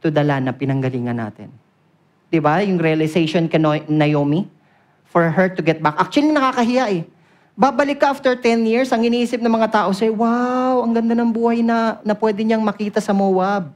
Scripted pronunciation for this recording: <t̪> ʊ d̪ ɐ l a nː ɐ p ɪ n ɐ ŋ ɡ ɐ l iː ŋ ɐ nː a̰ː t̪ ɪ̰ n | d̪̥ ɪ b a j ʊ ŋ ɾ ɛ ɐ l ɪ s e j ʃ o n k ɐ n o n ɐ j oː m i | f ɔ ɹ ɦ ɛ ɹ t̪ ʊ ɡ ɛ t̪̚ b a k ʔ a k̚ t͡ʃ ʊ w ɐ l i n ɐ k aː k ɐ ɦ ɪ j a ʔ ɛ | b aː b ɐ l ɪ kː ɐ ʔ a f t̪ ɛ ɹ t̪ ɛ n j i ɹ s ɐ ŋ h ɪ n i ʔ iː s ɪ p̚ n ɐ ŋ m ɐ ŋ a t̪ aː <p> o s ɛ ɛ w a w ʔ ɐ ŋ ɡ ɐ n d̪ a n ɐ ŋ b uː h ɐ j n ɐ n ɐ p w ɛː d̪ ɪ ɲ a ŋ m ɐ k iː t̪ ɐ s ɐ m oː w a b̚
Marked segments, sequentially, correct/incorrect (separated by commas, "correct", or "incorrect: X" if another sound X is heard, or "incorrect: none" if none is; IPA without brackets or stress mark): correct, incorrect: ʔ